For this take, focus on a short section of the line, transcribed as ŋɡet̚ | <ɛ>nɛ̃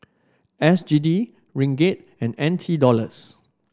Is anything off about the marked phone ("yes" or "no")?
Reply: yes